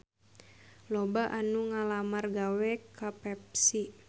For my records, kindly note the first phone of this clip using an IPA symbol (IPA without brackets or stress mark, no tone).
l